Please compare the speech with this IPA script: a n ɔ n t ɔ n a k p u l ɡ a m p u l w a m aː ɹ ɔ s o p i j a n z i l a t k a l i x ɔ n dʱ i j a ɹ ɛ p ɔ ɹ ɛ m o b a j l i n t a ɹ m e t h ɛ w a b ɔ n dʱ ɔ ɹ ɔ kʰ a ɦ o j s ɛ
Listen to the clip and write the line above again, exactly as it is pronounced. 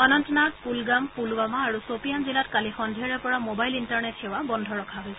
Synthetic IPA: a n ɔ n t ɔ n a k p u l ɡ a m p u l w a m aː ɹ u s o p i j a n z i l a t k a l i x ɔ n dʱ i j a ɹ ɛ p ɔ ɹ a m o b a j l i n t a ɹ n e t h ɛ w a b ɔ n dʱ ɔ ɹ ɔ kʰ a ɦ o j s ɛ